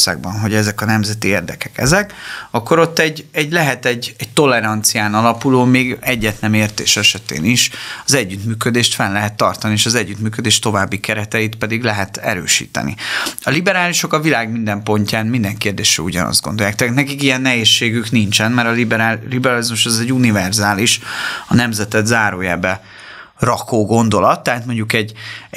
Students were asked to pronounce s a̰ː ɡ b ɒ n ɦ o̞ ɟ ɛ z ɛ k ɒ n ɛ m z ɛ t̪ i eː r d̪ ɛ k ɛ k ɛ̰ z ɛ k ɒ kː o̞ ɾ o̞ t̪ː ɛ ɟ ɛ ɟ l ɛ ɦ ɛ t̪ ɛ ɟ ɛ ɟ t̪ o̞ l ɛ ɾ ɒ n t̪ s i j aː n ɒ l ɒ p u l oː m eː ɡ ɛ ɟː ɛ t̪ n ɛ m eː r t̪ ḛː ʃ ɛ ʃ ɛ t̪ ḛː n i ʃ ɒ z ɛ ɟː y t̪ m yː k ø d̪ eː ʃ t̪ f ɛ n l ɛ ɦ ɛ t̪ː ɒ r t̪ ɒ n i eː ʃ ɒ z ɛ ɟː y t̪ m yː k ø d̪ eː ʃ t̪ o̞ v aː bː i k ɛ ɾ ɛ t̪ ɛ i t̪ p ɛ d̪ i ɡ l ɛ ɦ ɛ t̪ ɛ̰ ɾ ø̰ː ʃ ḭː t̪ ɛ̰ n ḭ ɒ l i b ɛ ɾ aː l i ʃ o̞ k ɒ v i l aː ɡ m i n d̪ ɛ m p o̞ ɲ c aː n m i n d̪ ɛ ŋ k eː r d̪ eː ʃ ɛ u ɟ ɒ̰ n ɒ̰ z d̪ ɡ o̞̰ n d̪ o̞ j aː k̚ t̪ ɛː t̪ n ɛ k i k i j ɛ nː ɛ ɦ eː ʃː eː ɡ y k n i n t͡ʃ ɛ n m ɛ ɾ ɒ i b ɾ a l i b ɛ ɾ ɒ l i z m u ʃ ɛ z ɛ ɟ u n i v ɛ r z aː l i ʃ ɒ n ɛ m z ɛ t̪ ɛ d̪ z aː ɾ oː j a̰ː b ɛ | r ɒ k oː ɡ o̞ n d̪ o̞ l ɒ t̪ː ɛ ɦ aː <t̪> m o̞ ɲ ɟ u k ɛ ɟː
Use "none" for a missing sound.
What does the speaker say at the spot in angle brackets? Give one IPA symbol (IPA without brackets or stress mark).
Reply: t̪